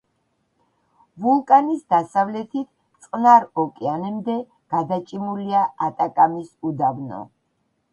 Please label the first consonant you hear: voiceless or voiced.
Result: voiced